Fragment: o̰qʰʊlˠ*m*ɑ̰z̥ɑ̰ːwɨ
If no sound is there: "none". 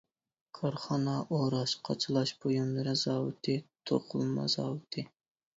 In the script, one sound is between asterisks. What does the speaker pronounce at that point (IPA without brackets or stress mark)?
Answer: m